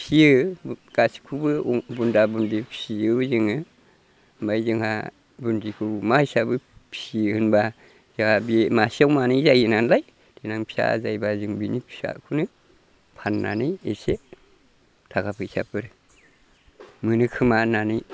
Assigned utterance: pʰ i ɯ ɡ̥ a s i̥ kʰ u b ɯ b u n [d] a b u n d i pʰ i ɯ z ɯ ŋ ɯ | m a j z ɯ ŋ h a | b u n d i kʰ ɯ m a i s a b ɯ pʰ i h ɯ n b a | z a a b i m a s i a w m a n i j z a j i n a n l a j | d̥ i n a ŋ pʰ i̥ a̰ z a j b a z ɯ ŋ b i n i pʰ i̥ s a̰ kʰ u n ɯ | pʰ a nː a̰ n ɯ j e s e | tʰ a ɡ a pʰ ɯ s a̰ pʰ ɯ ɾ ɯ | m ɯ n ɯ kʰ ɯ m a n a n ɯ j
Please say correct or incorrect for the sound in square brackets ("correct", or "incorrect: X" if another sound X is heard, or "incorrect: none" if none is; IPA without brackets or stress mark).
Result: correct